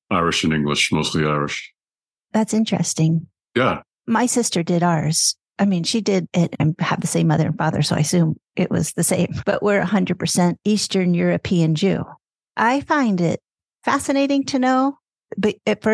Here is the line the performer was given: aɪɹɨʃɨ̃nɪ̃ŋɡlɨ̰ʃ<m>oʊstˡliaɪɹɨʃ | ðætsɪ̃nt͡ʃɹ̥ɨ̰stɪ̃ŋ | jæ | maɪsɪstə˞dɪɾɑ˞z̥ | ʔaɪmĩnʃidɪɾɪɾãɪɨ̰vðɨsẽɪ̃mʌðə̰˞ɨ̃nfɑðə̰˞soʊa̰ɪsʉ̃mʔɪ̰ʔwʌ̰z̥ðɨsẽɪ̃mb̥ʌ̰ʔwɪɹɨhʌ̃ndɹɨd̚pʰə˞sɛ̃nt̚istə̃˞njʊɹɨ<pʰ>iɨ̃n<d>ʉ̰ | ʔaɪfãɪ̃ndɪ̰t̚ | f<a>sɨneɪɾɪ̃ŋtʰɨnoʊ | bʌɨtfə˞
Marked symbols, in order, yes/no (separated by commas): yes, yes, no, no